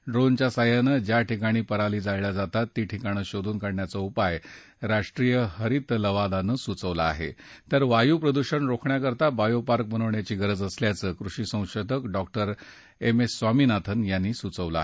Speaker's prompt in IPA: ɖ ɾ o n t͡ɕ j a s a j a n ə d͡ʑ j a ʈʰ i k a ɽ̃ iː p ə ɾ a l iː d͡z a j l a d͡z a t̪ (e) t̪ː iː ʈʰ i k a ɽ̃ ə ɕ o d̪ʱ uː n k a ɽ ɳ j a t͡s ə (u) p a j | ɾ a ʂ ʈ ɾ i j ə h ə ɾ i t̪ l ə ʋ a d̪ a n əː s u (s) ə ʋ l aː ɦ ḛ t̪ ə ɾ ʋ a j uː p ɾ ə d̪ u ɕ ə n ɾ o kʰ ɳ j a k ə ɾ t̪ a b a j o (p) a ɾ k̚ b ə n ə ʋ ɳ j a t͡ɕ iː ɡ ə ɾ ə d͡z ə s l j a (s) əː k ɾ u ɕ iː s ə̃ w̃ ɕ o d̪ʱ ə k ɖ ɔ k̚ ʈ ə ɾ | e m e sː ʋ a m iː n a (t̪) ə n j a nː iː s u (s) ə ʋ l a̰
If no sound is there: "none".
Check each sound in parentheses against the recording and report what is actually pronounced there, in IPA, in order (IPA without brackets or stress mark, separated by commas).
a, u, t͡s, p, t͡s, t̪ʰ, t͡s